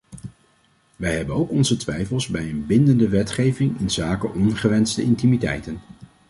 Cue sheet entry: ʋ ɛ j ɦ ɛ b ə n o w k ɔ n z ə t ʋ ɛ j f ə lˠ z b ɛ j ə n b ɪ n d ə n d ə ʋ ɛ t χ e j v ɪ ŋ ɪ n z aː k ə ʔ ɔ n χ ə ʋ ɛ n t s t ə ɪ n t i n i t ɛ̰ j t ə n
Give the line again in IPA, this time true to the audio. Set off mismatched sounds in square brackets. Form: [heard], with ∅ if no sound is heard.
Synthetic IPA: ʋ ɛ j ɦ ɛ b ə n o w k ɔ n z ə t ʋ ɛ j f ə lˠ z b ɛ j ə n b ɪ n d ə n d ə ʋ ɛ t χ e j v ɪ ŋ ɪ n z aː k ə ʔ ɔ n χ ə ʋ ɛ n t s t ə ɪ n t i [m] i t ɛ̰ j t ə n

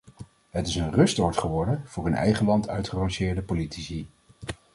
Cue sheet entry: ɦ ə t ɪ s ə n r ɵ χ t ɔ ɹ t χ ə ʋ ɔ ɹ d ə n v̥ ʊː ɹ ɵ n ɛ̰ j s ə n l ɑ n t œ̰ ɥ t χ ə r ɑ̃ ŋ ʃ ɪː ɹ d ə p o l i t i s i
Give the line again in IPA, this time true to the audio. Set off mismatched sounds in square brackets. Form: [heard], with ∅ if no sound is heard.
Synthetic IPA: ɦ ə t ɪ s ə n r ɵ [s] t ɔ ɹ t χ ə ʋ ɔ ɹ d ə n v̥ ʊː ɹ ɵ n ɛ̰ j [χ] ə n l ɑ n t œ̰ ɥ t χ ə r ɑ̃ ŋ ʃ ɪː ɹ d ə p o l i t i s i

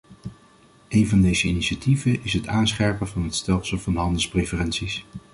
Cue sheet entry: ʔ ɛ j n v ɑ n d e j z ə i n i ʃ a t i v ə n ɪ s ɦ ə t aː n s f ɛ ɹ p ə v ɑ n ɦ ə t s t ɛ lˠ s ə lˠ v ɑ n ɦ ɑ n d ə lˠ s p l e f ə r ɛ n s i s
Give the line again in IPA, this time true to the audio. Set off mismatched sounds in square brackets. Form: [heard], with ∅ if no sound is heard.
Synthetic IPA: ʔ [e] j n v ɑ n d e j z ə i n i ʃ a t i v ə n ɪ s ɦ ə t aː n s [χ] ɛ ɹ p ə v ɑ n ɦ ə t s t ɛ lˠ s ə lˠ v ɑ n ɦ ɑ n d ə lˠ s p [r] e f ə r ɛ n s i s

